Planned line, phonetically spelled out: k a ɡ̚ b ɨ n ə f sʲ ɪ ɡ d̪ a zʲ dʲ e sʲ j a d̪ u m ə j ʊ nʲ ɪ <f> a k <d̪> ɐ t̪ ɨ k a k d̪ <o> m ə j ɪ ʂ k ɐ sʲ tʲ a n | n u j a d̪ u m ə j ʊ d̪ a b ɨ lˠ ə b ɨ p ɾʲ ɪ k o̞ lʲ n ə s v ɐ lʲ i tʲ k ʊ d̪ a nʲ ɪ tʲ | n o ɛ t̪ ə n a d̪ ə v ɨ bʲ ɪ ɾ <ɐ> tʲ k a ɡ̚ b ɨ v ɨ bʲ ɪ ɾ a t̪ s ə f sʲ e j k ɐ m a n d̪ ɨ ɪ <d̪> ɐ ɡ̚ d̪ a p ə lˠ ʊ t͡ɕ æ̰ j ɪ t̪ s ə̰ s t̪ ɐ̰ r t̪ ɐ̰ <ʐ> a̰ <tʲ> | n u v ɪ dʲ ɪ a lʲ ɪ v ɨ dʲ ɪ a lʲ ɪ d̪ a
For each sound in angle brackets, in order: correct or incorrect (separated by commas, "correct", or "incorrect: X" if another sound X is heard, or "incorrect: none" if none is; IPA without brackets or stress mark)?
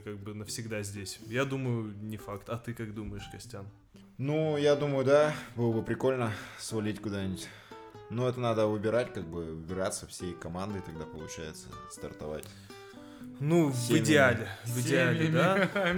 correct, incorrect: t̪, incorrect: u, incorrect: a, incorrect: t̪, incorrect: v, correct